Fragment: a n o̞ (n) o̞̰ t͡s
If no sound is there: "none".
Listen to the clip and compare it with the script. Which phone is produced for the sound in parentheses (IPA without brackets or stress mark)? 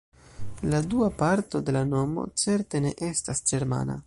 m